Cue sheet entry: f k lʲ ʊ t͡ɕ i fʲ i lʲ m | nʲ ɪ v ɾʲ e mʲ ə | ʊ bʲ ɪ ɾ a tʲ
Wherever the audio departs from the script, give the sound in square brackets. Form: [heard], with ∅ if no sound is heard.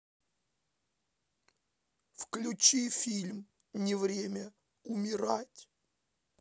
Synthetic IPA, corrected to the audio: f k lʲ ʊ t͡ɕ i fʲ i lʲ m | nʲ ɪ v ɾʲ e mʲ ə | ʊ [mʲ] ɪ ɾ a tʲ